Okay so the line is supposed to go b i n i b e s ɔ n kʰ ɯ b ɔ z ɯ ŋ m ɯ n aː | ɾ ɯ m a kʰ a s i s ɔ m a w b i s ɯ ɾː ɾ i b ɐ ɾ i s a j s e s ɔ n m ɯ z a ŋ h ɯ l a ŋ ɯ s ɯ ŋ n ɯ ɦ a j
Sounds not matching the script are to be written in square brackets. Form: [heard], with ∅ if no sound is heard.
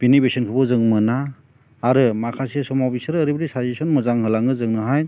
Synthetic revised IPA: b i n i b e s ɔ n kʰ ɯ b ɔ z ɯ ŋ m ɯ n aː | ɾ ɯ m a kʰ a s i s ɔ m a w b i s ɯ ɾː ɾ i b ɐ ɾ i s a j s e s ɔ n m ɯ z a ŋ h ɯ l a ŋ ɯ [z] ɯ ŋ n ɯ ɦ a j

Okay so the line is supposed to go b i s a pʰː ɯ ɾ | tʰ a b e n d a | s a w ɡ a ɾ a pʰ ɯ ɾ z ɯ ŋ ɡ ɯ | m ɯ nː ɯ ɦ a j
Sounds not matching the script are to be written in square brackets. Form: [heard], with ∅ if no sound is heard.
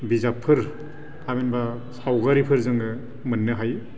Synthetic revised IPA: b i [z] a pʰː ɯ ɾ | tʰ a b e n [b] a | s a w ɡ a ɾ [i] pʰ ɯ ɾ z ɯ ŋ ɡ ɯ | m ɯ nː ɯ ɦ a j

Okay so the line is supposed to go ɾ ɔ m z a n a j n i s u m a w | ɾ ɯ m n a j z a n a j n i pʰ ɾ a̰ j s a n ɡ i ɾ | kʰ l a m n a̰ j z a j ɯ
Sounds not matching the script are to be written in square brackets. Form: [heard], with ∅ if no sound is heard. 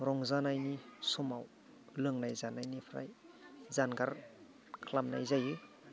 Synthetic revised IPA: ɾ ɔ [ŋ] z a n a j n i s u m a w | [l] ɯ [ŋ] n a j z a n a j n i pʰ ɾ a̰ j [z] a n ɡ [a] ɾ | kʰ l a m n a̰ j z a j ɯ

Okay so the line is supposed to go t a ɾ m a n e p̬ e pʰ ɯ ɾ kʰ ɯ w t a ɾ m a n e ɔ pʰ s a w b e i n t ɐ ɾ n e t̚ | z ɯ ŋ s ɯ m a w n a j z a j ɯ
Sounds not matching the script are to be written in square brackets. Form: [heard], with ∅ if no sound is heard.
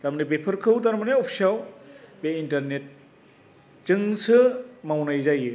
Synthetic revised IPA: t a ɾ m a n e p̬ e pʰ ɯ ɾ kʰ ɯ w t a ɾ m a n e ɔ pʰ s a w b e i n t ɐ ɾ n e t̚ | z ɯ ŋ s ɯ m a w n a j z a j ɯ

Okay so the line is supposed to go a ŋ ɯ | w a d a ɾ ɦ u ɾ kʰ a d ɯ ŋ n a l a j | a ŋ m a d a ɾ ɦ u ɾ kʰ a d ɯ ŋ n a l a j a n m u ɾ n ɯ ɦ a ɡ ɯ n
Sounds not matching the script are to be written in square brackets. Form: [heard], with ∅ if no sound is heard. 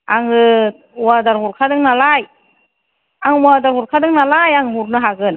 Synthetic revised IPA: a ŋ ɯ | w a d a ɾ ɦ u ɾ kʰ a d ɯ ŋ n a l a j | a ŋ m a d a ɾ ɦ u ɾ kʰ a d ɯ ŋ n a l a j a [ŋ] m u ɾ n ɯ ɦ a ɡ ɯ n

